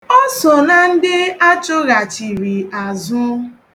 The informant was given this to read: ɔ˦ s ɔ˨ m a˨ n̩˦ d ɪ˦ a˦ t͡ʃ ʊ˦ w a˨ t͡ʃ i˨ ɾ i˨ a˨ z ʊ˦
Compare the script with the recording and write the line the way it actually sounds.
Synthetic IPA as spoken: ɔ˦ s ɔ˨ n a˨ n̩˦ d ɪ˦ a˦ t͡ʃ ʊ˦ ɣ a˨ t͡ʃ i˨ ɾ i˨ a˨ z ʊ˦